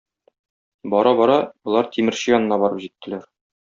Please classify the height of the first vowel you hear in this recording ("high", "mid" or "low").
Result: low